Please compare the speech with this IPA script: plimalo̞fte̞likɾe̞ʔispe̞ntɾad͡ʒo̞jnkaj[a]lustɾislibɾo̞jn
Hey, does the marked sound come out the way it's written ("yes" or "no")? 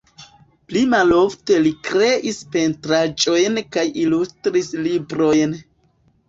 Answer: no